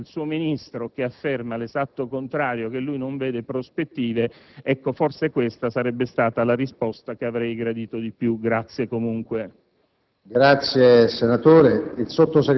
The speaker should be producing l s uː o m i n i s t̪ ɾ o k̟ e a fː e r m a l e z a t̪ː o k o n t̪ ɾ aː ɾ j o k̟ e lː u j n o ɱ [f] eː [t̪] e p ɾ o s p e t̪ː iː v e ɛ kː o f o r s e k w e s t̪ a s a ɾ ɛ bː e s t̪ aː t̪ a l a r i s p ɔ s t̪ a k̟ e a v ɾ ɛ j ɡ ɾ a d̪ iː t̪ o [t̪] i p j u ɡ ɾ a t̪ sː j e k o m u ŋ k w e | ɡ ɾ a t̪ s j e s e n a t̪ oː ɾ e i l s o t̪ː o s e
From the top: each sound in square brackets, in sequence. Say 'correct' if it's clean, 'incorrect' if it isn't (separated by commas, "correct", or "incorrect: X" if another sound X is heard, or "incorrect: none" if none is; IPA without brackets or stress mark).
incorrect: v, incorrect: d̪, incorrect: d̪